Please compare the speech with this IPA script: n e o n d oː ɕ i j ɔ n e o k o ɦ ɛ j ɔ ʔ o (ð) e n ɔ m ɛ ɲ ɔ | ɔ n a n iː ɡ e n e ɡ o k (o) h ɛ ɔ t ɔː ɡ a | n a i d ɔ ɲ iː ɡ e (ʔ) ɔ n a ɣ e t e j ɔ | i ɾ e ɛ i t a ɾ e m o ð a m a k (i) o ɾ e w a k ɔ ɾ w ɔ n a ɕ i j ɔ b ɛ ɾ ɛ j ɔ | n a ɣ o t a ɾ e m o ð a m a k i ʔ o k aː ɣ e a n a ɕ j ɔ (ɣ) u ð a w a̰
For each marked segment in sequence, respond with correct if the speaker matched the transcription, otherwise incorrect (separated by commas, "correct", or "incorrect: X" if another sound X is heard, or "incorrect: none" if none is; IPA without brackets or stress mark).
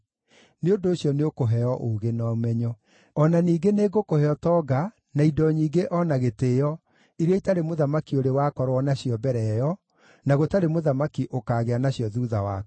incorrect: ɣ, correct, correct, correct, incorrect: ð